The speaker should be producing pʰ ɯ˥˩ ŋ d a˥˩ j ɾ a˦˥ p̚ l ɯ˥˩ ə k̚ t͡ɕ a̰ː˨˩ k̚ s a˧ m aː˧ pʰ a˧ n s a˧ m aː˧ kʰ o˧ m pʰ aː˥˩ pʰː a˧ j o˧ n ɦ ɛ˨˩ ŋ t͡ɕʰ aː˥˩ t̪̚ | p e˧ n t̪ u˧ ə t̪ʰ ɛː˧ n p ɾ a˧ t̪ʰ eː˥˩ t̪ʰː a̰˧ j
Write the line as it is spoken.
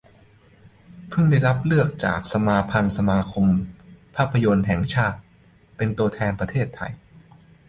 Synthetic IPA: pʰ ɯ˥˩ ŋ d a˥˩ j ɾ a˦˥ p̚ l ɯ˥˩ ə k̚ t͡ɕ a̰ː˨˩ k̚ s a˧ m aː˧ pʰ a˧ n s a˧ m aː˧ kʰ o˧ m pʰ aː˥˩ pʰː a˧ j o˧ n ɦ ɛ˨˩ ŋ t͡ɕʰ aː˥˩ t̪̚ | p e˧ n t̪ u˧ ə t̪ʰ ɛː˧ n p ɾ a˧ t̪ʰ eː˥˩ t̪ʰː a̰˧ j